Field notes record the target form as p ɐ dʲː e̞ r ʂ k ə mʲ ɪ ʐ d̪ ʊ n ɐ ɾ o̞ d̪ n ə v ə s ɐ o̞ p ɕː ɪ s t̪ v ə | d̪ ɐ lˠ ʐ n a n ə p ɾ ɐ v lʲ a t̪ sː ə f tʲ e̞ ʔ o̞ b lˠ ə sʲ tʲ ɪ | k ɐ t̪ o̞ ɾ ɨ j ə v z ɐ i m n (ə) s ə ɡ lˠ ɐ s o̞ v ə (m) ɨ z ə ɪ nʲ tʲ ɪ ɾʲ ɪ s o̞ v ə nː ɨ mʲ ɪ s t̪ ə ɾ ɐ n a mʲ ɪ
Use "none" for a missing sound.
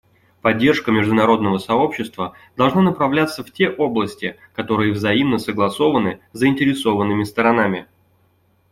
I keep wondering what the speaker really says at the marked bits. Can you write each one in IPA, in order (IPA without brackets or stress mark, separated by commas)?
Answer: ə, n